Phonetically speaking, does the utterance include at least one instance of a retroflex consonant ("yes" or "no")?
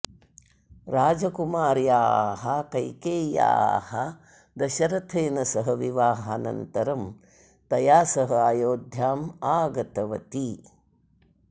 no